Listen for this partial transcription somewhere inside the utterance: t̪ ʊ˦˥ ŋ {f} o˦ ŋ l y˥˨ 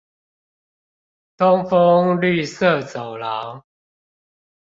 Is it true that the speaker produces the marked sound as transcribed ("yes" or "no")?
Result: yes